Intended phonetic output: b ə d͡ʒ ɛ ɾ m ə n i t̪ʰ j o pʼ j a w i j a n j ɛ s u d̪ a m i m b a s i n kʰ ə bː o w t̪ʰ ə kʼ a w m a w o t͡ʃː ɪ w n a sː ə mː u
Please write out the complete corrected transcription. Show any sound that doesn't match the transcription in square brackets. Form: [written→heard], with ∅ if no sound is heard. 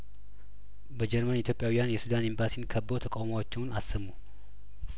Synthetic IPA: b ə d͡ʒ ɛ ɾ m ə n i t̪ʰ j o pʼ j a w i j a n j ɛ s u d̪ a [m→n] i m b a s i n kʰ ə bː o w t̪ʰ ə kʼ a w m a w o t͡ʃː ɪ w n a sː ə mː u